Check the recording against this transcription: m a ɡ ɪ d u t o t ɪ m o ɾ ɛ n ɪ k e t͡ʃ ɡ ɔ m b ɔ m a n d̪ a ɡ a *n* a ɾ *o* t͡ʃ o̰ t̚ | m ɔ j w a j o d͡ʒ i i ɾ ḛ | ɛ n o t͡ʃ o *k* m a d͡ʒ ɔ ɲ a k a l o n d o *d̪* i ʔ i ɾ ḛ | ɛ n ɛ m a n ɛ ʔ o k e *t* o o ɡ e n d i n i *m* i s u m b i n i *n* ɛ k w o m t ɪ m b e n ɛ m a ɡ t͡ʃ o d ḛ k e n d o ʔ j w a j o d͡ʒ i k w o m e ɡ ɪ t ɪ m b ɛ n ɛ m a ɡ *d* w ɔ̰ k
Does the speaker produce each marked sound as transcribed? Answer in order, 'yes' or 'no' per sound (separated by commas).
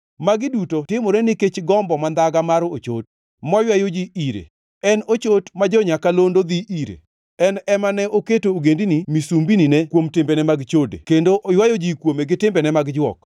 no, yes, no, yes, yes, yes, yes, no